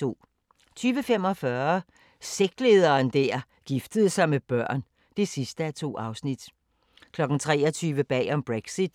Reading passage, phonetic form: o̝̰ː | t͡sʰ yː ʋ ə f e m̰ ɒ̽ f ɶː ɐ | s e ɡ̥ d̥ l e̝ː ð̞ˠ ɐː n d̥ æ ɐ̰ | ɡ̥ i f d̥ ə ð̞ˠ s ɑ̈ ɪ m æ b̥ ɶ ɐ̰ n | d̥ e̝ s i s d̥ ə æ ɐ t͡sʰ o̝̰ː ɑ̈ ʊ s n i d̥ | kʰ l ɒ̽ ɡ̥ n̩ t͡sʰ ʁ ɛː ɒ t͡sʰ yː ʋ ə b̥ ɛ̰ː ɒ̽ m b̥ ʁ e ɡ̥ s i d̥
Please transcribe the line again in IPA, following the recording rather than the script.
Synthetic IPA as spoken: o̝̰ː | t͡sʰ yː ʋ ə f e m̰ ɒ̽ f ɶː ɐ | s e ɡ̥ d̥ l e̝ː ð̞ˠ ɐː n d̥ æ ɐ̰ | ɡ̥ i f d̥ ə ð̞ˠ s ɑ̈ ɪ m e b̥ ɶ ɐ̰ n | d̥ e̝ s i s d̥ ə æ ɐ t͡sʰ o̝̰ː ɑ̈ ʊ s n i d̥ | kʰ l ɒ̽ ɡ̥ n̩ t͡sʰ ʁ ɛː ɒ t͡sʰ yː ʋ ə b̥ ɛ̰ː ɒ̽ m b̥ ʁ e ɡ̥ s i d̥